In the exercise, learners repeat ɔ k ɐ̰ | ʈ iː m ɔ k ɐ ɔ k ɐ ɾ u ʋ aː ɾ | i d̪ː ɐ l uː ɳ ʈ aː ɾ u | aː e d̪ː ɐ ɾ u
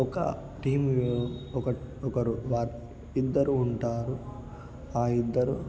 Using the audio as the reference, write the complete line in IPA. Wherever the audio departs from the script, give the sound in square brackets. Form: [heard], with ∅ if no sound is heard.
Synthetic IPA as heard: ɔ k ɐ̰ | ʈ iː m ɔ k ɐ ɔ k ɐ ɾ u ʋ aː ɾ | i d̪ː ɐ [ɾ] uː ɳ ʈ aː ɾ u | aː [i] d̪ː ɐ ɾ u